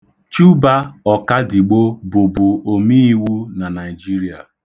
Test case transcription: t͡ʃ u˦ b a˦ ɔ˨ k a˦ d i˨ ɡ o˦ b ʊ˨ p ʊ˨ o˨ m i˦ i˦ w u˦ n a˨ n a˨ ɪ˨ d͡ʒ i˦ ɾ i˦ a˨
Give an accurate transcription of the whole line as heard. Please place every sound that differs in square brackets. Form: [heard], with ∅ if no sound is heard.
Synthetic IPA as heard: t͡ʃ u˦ b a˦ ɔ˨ k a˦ d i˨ [ɡ͡b] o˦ b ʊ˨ [b] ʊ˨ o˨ m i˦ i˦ w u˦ n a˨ n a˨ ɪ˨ d͡ʒ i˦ ɾ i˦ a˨